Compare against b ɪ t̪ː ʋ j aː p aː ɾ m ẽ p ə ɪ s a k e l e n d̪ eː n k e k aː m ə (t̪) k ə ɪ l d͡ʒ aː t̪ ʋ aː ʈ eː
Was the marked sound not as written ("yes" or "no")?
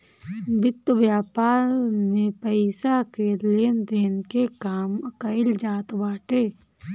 yes